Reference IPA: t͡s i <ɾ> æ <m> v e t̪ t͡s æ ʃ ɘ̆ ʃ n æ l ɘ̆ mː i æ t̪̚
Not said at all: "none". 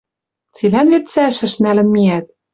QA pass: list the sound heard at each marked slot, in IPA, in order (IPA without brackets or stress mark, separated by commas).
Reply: l, n